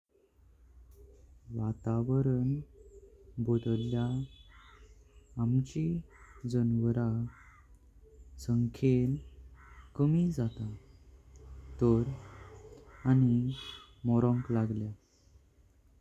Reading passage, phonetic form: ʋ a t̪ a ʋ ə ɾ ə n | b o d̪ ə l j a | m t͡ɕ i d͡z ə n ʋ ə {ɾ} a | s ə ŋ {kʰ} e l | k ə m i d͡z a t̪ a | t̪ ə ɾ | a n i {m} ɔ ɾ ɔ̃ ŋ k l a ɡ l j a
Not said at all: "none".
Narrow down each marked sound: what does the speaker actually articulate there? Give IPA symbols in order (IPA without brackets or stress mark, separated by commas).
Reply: ɾ, kʰ, m